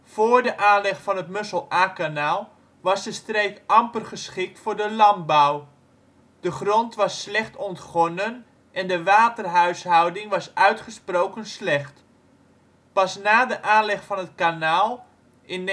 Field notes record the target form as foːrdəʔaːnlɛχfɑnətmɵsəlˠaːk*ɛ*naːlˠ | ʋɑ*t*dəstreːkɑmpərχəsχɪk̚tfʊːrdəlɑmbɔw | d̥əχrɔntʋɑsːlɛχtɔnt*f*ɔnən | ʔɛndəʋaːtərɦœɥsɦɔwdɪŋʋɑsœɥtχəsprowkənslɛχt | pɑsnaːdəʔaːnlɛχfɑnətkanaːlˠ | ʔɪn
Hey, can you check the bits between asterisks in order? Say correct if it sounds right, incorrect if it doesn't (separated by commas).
incorrect, incorrect, incorrect